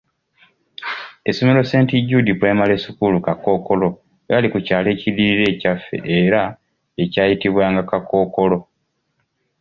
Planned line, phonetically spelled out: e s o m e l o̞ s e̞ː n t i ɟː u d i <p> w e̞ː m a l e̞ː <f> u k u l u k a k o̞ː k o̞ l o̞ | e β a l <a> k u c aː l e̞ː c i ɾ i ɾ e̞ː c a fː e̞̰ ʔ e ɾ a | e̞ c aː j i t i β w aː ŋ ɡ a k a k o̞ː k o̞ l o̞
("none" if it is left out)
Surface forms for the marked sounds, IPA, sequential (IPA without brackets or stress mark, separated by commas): p, s, i